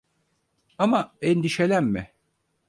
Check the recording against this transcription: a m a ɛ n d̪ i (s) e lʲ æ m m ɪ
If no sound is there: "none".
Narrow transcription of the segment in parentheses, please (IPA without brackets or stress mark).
ʃ